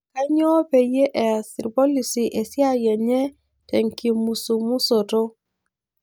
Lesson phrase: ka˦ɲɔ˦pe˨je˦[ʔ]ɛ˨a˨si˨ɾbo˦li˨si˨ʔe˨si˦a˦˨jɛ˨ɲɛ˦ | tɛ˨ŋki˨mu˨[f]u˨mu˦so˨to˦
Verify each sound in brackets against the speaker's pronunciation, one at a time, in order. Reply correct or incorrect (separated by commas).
correct, incorrect